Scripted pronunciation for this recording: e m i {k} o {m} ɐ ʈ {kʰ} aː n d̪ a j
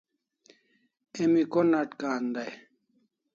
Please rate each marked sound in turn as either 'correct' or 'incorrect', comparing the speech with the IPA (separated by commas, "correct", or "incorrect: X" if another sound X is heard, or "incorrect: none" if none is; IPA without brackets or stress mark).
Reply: correct, incorrect: n, incorrect: k